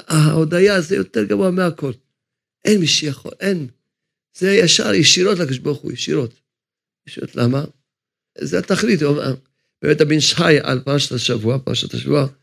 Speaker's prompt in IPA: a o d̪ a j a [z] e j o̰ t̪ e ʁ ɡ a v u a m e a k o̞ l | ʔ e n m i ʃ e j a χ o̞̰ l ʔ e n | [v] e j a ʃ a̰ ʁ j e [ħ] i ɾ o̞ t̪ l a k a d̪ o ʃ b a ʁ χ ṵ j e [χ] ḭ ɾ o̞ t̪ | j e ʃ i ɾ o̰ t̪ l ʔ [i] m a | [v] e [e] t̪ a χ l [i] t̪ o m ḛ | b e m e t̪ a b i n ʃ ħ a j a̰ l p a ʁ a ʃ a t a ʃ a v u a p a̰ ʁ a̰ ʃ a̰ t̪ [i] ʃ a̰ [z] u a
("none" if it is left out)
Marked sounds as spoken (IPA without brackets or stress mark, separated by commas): z, z, ʃ, ʃ, a, z, a, i, a, v